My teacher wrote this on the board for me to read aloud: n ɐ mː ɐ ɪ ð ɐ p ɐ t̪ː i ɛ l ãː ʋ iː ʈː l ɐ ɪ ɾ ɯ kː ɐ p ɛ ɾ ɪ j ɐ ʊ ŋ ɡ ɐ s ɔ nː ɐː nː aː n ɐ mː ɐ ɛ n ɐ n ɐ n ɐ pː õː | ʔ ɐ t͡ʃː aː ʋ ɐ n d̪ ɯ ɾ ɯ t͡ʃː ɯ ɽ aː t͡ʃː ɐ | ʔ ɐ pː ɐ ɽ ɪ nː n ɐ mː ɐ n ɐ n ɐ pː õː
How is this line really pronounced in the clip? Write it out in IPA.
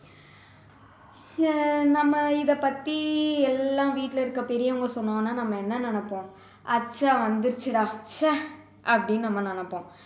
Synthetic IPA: n ɐ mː ɐ ɪ ð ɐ p ɐ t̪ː i ɛ lː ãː ʋ iː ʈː l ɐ ɪ ɾ ɯ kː ɐ p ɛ ɾ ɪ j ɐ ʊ ŋ ɡ ɐ s ɔ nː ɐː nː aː n ɐ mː ɐ ɛ nː ɐ n ɐ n ɐ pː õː | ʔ ɐ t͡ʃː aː ʋ ɐ n d̪ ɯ ɾ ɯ t͡ʃː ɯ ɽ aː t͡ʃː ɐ | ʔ ɐ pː ɐ ɽ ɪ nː n ɐ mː ɐ n ɐ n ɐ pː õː